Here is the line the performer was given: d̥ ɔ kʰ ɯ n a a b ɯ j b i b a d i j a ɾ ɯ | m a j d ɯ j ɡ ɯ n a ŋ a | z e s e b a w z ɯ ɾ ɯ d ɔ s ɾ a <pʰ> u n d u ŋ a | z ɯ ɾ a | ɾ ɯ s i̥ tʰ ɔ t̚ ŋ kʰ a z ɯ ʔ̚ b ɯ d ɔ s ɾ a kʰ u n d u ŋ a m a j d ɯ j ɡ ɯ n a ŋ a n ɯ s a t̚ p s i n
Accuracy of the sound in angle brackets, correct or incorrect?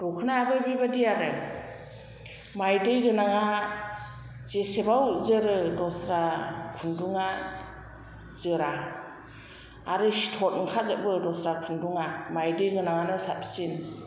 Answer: incorrect: kʰ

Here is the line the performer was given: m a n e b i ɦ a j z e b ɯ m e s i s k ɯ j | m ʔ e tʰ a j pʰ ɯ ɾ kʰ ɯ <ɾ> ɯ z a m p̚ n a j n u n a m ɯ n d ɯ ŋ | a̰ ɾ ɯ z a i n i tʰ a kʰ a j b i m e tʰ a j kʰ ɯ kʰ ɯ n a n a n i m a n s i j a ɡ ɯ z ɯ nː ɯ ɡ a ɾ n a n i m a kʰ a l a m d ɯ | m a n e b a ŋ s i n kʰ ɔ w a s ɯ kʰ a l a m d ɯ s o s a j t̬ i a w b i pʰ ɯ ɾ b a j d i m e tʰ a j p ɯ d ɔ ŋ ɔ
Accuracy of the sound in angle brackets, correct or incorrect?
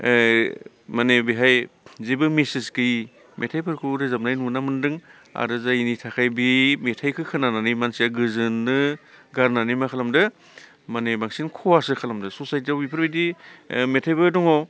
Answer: correct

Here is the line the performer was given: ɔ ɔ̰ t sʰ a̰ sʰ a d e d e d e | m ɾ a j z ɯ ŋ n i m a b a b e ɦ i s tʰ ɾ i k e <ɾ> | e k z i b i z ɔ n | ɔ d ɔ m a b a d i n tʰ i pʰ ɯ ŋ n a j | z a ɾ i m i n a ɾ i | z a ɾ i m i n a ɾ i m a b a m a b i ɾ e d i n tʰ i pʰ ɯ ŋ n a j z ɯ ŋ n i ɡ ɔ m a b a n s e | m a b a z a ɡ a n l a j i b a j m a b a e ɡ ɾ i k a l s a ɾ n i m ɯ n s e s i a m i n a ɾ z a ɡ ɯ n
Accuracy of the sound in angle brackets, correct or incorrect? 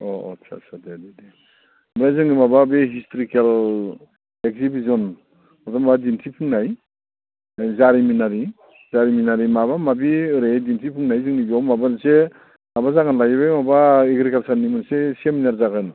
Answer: incorrect: l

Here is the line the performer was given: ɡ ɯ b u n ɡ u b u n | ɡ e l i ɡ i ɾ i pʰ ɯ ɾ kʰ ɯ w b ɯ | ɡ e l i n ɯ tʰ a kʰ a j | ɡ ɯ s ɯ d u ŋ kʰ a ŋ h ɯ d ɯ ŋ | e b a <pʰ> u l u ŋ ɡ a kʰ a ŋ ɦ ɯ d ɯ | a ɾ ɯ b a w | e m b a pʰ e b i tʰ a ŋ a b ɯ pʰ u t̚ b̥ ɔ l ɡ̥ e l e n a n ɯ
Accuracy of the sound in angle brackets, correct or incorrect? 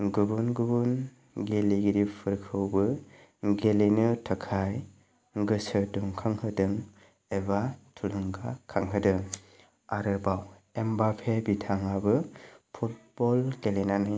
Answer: incorrect: tʰ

